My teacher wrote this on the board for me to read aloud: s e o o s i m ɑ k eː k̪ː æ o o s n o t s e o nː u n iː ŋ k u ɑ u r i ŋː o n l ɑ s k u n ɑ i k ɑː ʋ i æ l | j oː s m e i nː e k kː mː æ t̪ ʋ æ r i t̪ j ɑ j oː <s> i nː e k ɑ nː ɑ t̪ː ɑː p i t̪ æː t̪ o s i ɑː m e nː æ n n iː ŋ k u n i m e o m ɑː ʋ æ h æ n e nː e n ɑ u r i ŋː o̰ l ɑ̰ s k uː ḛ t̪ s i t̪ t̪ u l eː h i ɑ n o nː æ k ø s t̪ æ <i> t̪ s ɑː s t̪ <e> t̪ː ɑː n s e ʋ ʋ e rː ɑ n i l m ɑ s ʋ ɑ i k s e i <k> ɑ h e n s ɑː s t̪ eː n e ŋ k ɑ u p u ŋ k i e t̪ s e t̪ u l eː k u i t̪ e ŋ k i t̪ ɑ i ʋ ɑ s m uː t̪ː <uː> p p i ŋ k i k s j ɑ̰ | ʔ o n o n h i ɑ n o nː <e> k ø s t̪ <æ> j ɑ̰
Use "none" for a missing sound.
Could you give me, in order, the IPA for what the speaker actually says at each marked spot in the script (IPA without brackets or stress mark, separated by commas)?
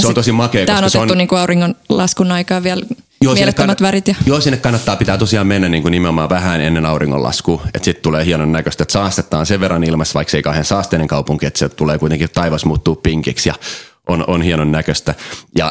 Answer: s, e, e, k, uː, æ, æ